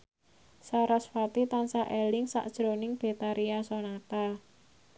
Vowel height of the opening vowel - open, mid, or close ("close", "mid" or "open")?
open